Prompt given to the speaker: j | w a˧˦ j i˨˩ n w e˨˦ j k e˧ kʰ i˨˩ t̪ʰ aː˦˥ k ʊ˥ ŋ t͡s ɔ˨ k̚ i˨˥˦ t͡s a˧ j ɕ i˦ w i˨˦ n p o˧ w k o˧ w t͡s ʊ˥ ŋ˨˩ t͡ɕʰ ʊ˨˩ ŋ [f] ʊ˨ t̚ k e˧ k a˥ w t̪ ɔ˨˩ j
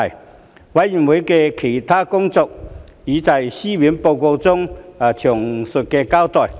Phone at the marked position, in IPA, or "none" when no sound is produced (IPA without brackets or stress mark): s